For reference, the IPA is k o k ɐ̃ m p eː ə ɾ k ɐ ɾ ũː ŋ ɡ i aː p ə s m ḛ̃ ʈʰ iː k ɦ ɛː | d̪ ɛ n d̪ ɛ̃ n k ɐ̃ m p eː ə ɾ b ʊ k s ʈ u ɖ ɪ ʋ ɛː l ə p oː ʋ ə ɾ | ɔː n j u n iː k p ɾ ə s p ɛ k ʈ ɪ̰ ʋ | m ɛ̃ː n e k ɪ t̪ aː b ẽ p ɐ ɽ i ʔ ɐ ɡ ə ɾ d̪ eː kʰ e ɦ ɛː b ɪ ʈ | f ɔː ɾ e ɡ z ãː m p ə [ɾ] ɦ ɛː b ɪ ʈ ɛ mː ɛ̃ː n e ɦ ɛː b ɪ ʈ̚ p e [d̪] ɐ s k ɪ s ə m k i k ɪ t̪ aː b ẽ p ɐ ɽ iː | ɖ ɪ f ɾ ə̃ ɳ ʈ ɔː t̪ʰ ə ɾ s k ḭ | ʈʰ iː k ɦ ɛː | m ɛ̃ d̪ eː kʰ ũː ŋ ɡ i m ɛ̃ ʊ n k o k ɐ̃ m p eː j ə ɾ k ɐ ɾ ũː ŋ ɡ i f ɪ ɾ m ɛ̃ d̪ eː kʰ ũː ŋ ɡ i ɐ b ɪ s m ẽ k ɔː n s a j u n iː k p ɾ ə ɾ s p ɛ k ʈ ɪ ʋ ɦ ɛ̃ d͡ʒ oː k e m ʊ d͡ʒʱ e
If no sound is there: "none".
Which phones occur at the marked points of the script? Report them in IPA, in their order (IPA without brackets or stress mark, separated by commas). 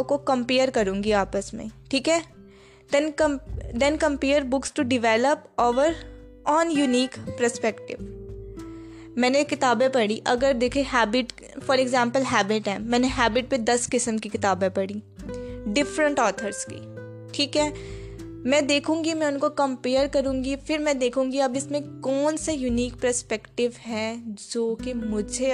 l, d̪